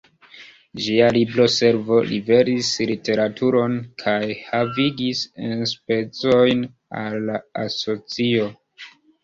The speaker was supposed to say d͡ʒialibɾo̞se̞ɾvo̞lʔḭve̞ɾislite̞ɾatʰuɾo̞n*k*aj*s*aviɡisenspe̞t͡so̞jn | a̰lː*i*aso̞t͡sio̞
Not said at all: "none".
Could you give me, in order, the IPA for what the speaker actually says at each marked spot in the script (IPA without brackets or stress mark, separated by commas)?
kʰ, h, a